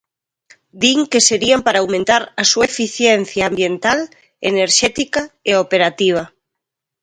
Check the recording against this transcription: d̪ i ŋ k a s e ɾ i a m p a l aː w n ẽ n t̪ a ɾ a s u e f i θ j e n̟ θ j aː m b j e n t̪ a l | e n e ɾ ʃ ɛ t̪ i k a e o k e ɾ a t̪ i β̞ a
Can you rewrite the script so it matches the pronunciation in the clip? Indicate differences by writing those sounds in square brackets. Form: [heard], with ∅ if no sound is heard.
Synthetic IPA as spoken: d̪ i ŋ k [e] s e ɾ i a m p a [ɾ] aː w [m] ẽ n t̪ a ɾ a s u e f i θ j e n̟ θ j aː m b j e n t̪ a l | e n e ɾ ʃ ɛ t̪ i k a e o [p] e ɾ a t̪ i β̞ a

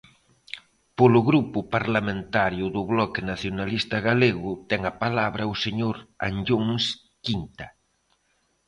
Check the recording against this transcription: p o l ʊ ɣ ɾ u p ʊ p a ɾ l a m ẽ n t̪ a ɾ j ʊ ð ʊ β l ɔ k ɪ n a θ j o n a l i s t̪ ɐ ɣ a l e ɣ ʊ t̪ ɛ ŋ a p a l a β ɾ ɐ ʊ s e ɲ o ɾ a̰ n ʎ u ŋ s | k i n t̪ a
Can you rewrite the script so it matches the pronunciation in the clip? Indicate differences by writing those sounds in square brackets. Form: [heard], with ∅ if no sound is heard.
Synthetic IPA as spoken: p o l ʊ ɣ ɾ u p ʊ p a ɾ l a m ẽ n t̪ a ɾ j ʊ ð ʊ β l ɔ k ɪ n a θ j o n a l i s t̪ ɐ ɣ a l e ɣ ʊ t̪ ɛ ŋ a p a l a β ɾ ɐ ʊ s e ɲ o ɾ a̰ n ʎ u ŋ s | k i n t̪ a

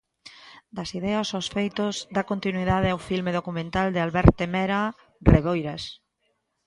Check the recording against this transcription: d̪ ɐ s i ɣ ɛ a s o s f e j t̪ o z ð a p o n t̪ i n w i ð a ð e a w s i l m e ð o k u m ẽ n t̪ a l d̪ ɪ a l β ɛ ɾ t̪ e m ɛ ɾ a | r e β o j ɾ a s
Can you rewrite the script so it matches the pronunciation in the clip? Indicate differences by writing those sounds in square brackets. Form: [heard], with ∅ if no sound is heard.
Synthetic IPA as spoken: d̪ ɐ s i [ð] ɛ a s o s f e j t̪ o z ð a [k] o n t̪ i n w i ð a ð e a w [f] i l m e ð o k u m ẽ n t̪ a l d̪ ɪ a l β ɛ ɾ t̪ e m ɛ ɾ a | r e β o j ɾ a s

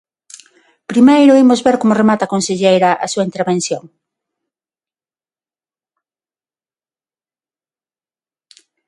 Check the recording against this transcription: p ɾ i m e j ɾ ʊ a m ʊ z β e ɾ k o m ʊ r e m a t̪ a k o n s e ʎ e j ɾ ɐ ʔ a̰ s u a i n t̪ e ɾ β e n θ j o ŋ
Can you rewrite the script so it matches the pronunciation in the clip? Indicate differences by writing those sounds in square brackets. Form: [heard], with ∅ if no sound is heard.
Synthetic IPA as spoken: p ɾ i m e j ɾ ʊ [i] m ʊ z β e ɾ k o m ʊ r e m a t̪ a k o n s e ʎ e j ɾ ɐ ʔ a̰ s u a i n t̪ e ɾ β e n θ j o ŋ

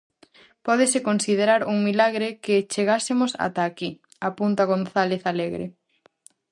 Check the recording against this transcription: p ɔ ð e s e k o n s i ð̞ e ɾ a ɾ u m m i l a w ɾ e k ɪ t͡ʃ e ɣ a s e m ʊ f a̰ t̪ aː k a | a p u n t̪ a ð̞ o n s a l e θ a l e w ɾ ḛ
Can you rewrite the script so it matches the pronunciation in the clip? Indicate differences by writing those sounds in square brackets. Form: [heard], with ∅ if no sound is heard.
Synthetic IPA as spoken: p ɔ ð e s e k o n s i ð̞ e ɾ a ɾ u [ŋ] m i l a [ɣ] ɾ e k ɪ t͡ʃ e ɣ a s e m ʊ [s] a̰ t̪ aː k [i] | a p u n t̪ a [ɣ̞] o n [θ] a l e θ a l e [ɣ] ɾ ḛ

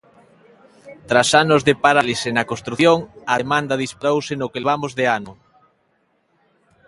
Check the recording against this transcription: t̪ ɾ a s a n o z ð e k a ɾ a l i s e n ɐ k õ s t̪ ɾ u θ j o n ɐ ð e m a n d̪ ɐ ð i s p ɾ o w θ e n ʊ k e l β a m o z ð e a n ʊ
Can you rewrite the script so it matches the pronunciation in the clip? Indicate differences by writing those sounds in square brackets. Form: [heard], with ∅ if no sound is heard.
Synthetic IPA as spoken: t̪ ɾ a s a n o z ð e [p] a ɾ a l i s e n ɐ k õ s t̪ ɾ u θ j o [ŋ] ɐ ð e m a n d̪ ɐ ð i s p ɾ o w [s] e n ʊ k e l β a m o z ð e a n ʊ

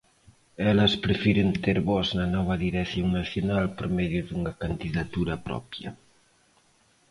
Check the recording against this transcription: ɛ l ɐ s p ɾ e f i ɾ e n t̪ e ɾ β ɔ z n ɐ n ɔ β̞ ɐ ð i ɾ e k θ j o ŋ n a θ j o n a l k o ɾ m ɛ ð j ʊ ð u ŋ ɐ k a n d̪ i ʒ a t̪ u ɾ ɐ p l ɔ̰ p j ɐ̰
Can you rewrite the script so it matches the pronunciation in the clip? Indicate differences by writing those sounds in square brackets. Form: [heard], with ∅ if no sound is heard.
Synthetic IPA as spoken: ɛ l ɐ s p ɾ e f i ɾ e n t̪ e ɾ β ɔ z n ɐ n ɔ β̞ ɐ ð i ɾ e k θ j o ŋ n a θ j o n a l [p] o ɾ m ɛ ð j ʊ ð u ŋ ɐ k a n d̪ i [ð] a t̪ u ɾ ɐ p [ɾ] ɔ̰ p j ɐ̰

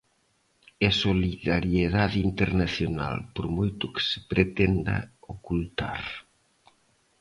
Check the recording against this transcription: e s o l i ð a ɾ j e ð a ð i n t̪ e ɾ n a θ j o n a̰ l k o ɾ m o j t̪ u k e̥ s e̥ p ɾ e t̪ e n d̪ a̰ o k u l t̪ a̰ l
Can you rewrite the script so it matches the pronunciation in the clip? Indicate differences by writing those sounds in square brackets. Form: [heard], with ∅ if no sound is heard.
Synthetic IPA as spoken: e s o l i ð a ɾ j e ð a ð i n t̪ e ɾ n a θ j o n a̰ l [p] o ɾ m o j t̪ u k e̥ s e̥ p ɾ e t̪ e n d̪ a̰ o k u l t̪ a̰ [ɾ]

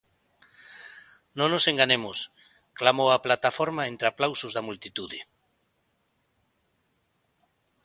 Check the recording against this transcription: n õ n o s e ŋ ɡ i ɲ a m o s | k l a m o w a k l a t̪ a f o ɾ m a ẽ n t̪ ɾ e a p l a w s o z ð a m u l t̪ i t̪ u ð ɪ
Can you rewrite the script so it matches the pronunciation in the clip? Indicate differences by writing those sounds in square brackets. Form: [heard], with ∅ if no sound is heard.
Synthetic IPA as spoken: n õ n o s e ŋ ɡ [a] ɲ [e] m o s | k l a m o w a [p] l a t̪ a f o ɾ m a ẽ n t̪ ɾ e a p l a w s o z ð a m u l t̪ i t̪ u ð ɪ

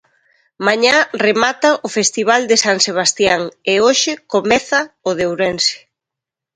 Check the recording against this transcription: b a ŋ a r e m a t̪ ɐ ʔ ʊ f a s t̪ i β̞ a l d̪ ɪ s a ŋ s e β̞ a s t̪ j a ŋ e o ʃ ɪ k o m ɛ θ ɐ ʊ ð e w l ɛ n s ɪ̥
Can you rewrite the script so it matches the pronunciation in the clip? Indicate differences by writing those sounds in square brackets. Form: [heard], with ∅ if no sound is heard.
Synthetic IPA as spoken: [m] a [ɲ] a r e m a t̪ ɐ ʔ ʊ f [e] s t̪ i β̞ a l d̪ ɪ s a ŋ s e β̞ a s t̪ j a ŋ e o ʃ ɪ k o m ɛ θ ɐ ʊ ð e w [ɾ] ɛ n s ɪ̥

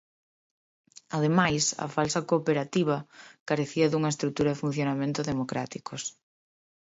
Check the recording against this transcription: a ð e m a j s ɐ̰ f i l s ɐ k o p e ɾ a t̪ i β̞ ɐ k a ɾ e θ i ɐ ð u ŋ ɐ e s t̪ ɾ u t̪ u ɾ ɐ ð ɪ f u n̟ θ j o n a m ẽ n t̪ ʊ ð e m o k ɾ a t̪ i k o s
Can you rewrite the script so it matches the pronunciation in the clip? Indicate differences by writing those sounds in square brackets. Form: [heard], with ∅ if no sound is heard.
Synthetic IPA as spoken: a ð e m a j s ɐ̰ f [a] l s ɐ k o p e ɾ a t̪ i β̞ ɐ k a ɾ e θ i ɐ ð u ŋ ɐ e s t̪ ɾ u t̪ u ɾ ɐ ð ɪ f u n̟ θ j o n a m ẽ n t̪ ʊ ð e m o k ɾ a t̪ i k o s

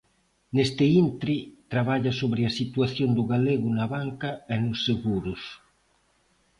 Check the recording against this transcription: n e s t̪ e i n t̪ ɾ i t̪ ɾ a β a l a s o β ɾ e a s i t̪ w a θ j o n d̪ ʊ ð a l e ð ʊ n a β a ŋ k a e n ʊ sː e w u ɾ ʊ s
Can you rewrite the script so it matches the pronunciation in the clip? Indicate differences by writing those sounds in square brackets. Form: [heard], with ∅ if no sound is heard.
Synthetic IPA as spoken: n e s t̪ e i n t̪ ɾ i t̪ ɾ a β a [ʎ] a s o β ɾ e a s i t̪ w a θ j o n d̪ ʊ [ɣ] a l e [ɣ] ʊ n a β a ŋ k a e n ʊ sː e [ɣ] u ɾ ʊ s

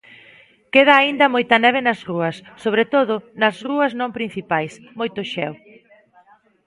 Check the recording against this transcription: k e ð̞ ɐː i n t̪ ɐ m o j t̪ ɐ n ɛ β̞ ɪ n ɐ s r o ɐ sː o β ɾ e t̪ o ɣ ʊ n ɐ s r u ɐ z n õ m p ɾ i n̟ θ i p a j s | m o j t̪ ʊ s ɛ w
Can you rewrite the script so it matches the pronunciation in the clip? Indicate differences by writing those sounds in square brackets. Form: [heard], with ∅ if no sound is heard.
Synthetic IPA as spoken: k e ð̞ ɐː i n [d̪] ɐ m o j t̪ ɐ n ɛ β̞ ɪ n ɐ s r [u] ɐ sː o β ɾ e t̪ o [ð] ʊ n ɐ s r u ɐ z n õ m p ɾ i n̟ θ i p a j s | m o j t̪ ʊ [ʃ] ɛ w

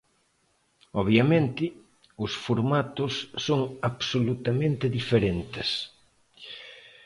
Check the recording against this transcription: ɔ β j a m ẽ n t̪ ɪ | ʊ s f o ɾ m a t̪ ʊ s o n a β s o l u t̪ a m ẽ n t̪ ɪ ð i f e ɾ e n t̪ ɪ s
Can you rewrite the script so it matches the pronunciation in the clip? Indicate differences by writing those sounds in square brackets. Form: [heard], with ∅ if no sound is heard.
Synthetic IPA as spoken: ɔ β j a m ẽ n t̪ ɪ | ʊ s f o ɾ m a t̪ ʊ [sː] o [ŋ] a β s o l u t̪ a m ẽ n t̪ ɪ ð i f e ɾ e n t̪ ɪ s

